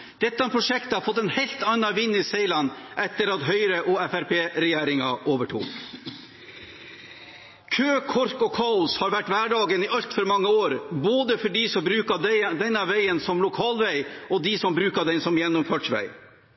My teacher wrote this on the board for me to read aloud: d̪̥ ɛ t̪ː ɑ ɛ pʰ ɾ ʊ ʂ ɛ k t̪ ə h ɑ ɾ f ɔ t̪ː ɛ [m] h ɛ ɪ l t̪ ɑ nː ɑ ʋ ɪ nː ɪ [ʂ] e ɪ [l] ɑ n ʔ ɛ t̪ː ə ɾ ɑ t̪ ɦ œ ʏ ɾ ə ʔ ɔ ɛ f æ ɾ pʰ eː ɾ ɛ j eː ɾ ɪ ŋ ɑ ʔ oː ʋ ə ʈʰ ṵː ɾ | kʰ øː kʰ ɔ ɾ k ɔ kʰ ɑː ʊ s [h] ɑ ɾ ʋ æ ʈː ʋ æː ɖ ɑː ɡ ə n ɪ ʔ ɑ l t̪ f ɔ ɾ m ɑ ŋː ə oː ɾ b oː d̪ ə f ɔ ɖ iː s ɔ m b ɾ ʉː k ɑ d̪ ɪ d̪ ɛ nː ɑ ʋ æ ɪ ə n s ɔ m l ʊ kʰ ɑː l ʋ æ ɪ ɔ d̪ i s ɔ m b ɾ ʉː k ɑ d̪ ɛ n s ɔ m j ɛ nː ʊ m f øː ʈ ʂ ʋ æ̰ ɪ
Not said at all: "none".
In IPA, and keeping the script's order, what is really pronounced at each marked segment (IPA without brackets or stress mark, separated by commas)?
n, s, l, h